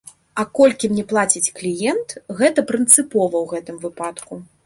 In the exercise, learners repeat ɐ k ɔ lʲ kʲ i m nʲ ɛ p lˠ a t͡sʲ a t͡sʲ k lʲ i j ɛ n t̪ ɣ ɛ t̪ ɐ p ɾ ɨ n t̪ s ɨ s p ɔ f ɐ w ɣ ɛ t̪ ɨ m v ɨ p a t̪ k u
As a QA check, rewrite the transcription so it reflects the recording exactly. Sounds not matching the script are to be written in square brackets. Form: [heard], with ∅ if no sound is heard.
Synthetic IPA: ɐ k ɔ lʲ kʲ i m nʲ ɛ p lˠ a t͡sʲ [i] t͡sʲ k lʲ i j ɛ n t̪ ɣ ɛ t̪ ɐ p ɾ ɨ n t̪ s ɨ [∅] p ɔ [v] ɐ w ɣ ɛ t̪ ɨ m v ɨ p a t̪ k u